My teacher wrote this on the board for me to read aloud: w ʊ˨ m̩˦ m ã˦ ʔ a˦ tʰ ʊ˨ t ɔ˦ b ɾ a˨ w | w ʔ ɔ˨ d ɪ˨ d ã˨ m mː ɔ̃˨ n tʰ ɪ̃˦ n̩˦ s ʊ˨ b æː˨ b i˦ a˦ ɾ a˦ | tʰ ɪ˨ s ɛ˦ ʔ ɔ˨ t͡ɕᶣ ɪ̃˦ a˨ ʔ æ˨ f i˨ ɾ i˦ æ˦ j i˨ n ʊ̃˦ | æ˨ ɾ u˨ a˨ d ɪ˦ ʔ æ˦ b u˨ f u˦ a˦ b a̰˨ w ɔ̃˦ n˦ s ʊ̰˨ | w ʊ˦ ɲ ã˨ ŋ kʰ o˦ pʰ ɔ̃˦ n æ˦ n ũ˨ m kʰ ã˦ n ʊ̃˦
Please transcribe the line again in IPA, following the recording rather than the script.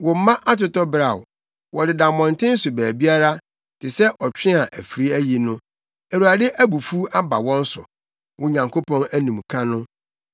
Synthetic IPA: w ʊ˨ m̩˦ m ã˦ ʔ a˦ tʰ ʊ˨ t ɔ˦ b ɾ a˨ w | w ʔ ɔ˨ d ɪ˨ d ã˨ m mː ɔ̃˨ n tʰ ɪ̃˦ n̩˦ s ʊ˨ b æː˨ b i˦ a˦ ɾ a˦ | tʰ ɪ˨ s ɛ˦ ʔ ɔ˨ t͡ɕᶣ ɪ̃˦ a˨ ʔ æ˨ f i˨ ɾ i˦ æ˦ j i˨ n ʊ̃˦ | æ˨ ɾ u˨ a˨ d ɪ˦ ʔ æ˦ b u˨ f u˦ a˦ b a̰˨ w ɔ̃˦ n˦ s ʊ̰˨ | w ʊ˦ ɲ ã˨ ŋ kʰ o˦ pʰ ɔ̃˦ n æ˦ n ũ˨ m kʰ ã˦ n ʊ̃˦